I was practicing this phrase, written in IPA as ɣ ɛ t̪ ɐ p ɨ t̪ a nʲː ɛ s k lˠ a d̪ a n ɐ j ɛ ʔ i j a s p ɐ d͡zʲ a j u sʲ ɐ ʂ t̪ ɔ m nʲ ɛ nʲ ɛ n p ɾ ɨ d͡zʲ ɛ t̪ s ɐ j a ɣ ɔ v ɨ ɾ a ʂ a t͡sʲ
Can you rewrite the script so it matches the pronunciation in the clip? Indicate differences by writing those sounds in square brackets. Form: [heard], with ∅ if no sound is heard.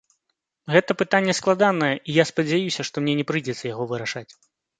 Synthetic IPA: ɣ ɛ t̪ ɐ p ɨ t̪ a nʲː ɛ s k lˠ a d̪ a n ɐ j ɛ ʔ i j a s p ɐ d͡zʲ a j u sʲ ɐ ʂ t̪ ɔ m nʲ ɛ nʲ ɛ [∅] p ɾ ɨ d͡zʲ ɛ t̪ s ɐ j a ɣ ɔ v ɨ ɾ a ʂ a t͡sʲ